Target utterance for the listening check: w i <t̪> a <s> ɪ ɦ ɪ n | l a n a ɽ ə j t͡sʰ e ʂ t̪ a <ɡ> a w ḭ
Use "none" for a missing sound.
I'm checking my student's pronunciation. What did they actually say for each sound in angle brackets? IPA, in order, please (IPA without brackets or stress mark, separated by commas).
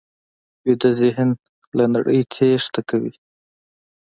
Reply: d̪, z, k